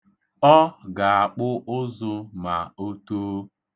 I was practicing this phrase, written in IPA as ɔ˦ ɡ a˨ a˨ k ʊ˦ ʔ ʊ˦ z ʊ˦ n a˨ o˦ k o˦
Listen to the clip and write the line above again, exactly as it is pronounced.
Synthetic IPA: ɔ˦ ɡ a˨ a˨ k͡p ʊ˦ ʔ ʊ˦ z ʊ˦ m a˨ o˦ t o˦